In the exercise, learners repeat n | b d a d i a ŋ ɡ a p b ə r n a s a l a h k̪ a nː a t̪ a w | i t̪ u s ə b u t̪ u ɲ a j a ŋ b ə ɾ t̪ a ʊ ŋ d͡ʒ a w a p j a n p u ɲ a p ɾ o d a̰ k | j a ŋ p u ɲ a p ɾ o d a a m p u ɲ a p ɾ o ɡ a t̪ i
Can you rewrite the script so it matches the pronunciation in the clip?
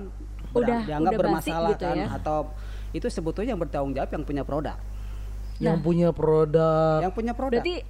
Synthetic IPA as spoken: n | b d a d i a ŋ ɡ a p b ə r m a s a l a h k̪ a n a t̪ a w | i t̪ u s ə b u t̪ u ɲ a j a ŋ b ə r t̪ a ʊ ŋ d͡ʒ a w a p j a ŋ p u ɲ a p ɾ o d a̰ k | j a ŋ p u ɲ a p ɾ o d a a ŋ p u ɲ a p ɾ o d a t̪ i